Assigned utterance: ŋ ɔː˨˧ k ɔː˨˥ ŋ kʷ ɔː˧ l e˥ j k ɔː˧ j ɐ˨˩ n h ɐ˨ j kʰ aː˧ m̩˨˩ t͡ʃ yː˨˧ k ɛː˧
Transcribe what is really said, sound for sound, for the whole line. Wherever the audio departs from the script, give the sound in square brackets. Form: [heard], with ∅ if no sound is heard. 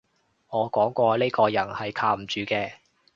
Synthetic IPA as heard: ŋ ɔː˨˧ k ɔː˨˥ ŋ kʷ ɔː˧ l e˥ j k ɔː˧ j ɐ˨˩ n h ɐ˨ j kʰ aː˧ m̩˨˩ t͡ʃ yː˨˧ k ɛː˧